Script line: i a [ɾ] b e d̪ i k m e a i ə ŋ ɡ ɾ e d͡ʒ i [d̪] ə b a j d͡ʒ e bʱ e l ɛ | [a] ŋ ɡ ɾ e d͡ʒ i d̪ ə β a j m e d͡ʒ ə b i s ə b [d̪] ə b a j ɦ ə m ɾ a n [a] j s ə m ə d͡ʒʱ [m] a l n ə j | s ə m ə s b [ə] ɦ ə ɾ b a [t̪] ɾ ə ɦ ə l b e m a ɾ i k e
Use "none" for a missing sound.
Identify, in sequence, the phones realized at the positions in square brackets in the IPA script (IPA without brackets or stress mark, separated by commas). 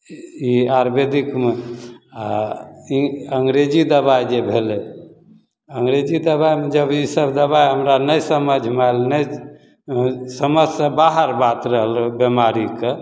ɾ, d̪, ə, d̪, ə, m, a, t̪